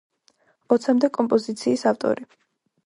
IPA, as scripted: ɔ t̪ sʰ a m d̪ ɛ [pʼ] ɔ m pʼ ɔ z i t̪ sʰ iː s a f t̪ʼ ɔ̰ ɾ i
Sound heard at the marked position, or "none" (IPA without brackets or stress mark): kʼ